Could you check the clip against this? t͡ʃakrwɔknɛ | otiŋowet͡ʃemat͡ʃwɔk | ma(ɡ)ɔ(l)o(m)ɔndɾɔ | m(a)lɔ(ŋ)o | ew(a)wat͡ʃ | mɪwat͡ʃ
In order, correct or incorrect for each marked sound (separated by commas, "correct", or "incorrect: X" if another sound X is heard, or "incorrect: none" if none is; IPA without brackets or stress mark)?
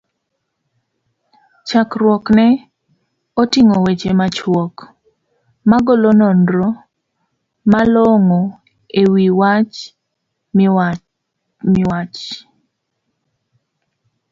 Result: correct, correct, incorrect: n, correct, correct, incorrect: i